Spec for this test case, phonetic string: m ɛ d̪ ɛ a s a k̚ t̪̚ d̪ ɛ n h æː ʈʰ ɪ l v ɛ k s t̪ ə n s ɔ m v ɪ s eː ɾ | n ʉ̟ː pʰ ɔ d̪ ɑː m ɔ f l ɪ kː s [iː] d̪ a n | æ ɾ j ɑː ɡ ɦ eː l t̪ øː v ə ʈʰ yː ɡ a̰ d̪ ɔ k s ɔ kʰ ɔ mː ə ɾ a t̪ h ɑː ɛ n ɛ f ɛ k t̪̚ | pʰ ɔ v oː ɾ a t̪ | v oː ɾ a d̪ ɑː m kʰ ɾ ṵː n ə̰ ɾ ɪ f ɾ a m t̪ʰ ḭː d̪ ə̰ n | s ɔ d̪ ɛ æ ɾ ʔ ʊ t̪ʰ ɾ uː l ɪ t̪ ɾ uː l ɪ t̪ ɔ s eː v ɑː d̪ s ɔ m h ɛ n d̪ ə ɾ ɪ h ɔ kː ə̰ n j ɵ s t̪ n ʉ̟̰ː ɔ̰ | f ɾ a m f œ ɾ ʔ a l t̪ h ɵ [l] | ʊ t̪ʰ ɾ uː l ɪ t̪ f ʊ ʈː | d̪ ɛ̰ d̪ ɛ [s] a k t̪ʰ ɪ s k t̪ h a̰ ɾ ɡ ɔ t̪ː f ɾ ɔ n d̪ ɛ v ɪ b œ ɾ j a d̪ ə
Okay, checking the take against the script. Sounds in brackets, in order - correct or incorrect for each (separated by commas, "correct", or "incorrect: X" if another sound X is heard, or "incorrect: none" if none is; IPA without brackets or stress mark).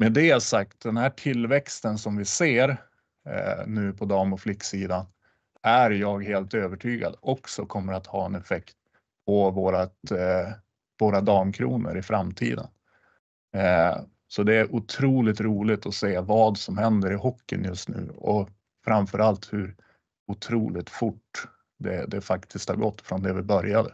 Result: correct, incorrect: ɾ, incorrect: f